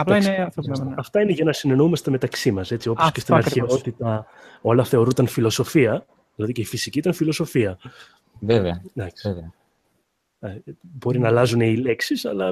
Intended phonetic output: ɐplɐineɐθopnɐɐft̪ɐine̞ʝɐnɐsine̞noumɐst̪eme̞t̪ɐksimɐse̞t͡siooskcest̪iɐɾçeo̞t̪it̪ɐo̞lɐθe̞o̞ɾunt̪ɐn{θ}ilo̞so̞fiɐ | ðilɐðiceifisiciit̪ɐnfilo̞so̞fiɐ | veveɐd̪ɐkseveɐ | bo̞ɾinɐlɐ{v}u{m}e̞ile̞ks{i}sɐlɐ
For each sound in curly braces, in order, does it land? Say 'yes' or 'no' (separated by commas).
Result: no, no, no, yes